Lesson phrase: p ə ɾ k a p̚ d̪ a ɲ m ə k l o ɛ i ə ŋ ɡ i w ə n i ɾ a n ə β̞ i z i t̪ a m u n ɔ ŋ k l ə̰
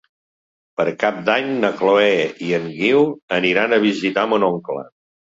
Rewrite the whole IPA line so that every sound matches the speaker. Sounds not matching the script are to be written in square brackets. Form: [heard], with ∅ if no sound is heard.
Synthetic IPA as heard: p ə ɾ k a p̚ d̪ a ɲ [n] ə k l o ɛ i ə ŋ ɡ i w ə n i ɾ a n ə β̞ i z i t̪ a m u n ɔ ŋ k l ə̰